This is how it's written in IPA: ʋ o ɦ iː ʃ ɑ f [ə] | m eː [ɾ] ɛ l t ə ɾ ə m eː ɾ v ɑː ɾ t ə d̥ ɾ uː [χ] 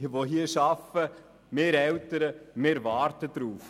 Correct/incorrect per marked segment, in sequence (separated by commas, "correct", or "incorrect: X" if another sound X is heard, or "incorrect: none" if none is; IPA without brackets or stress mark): correct, correct, incorrect: f